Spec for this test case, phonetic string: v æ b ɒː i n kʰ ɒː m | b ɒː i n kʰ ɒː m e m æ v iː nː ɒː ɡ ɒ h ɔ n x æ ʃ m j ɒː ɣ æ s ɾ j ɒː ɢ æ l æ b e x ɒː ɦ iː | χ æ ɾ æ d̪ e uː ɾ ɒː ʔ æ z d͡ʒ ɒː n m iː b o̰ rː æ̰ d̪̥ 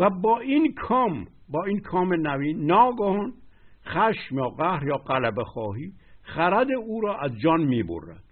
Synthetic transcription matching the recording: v æ b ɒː i n kʰ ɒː m | b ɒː i n kʰ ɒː m e n æ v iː nː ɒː ɡ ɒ h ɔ n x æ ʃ m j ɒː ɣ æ h ɾ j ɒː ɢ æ l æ b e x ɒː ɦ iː | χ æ ɾ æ d̪ e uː ɾ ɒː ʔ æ z d͡ʒ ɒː n m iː b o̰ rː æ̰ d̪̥